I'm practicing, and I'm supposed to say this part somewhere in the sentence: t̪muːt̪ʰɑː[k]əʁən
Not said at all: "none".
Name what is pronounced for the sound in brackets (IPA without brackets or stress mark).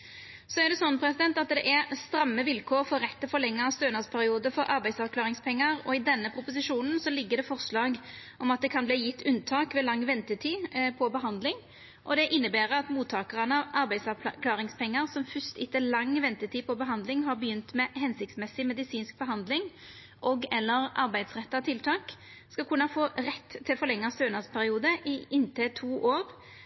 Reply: k